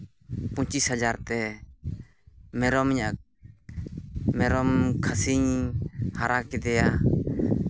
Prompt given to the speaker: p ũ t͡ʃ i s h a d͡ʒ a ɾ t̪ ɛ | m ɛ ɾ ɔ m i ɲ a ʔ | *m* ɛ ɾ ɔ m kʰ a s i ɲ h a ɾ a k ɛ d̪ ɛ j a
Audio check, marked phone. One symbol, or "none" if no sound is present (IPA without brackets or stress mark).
m